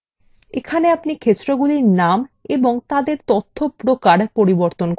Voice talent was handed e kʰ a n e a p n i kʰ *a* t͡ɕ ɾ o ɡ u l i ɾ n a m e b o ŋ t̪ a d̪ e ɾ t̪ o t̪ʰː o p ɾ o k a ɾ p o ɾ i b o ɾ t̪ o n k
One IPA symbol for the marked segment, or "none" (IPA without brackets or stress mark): e